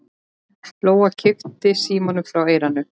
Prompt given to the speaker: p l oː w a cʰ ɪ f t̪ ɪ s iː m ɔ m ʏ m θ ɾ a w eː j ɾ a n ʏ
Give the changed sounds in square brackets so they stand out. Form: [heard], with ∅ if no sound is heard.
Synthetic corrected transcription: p l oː w a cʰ ɪ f t̪ ɪ s iː m ɔ [n] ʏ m [f] ɾ a w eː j ɾ a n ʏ